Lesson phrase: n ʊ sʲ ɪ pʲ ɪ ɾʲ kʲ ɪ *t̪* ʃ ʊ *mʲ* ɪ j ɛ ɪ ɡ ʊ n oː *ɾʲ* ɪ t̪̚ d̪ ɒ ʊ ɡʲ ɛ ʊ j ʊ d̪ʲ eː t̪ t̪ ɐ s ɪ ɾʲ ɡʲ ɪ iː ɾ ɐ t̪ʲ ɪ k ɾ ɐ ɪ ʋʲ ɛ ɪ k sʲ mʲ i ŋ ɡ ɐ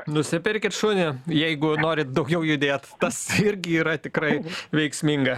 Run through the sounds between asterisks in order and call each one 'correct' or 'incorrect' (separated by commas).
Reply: correct, incorrect, correct